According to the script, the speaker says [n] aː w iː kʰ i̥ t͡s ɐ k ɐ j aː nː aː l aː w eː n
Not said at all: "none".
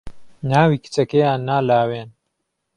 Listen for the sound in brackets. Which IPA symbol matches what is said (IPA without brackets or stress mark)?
n